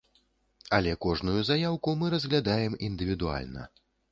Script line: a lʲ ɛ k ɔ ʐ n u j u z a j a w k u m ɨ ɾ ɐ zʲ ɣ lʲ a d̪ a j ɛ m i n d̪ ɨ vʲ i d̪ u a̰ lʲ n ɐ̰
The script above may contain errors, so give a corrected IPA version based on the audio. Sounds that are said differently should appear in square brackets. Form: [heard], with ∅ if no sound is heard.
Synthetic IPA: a lʲ ɛ k ɔ ʐ n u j u z a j a w k u m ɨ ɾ ɐ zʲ ɣ lʲ a d̪ a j ɛ m i n d̪ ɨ vʲ i d̪ u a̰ lʲ n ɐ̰